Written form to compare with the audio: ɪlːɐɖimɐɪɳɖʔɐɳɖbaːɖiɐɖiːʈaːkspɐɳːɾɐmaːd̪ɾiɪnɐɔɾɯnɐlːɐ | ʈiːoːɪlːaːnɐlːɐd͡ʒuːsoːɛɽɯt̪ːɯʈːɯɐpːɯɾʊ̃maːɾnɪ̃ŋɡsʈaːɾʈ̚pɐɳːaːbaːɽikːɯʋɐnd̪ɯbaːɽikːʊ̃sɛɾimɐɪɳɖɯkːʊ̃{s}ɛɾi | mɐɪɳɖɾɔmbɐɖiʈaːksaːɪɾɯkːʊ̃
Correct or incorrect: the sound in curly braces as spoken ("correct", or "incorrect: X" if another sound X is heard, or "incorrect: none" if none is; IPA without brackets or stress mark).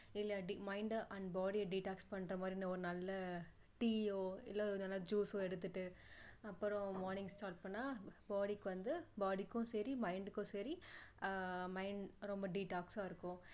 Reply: correct